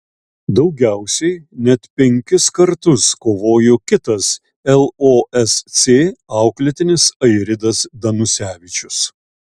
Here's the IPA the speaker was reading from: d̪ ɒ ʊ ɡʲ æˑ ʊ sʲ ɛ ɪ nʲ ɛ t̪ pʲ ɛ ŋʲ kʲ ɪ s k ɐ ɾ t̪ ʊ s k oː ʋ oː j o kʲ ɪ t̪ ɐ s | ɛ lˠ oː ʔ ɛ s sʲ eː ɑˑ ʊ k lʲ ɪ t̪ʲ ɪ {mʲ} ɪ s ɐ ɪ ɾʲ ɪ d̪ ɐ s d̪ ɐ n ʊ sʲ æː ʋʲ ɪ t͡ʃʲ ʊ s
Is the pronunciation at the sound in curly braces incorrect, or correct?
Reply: incorrect